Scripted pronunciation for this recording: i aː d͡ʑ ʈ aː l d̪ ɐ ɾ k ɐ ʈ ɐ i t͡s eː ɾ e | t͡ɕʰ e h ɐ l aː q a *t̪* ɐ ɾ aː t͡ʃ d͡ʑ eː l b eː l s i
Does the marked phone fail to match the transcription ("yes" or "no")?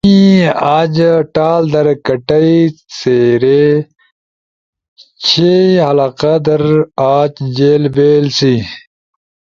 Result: yes